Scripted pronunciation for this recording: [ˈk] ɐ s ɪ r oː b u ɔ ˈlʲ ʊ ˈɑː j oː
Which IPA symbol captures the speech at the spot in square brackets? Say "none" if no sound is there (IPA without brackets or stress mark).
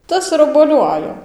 t